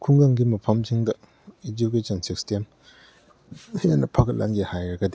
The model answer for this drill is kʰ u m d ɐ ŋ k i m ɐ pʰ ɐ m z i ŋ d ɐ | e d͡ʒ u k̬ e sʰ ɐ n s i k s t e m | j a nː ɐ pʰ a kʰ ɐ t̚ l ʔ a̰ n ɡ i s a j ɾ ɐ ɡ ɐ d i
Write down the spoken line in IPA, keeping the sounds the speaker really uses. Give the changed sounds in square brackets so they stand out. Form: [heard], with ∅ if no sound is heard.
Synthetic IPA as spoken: kʰ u [ŋ] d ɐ ŋ [ɡ] i m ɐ pʰ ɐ m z i ŋ d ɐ | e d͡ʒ u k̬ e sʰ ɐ n s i k s t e m | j a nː ɐ pʰ a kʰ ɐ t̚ l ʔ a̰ n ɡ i [h] a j ɾ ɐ ɡ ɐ d i